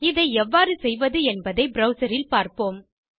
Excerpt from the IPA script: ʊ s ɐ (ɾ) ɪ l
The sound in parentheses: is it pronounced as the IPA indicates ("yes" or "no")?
yes